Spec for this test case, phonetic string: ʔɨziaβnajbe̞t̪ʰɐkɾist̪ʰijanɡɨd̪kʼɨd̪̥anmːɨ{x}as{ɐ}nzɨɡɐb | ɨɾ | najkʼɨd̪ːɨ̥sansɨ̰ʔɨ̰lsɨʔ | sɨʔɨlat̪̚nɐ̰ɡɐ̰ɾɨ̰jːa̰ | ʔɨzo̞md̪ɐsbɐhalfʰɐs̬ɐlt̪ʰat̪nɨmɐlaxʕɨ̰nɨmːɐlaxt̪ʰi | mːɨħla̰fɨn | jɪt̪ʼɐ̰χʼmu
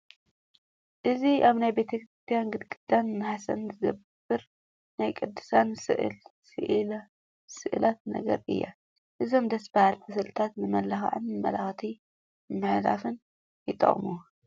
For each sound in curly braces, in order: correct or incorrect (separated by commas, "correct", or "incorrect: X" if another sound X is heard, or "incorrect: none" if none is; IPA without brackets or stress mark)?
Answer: incorrect: ħ, correct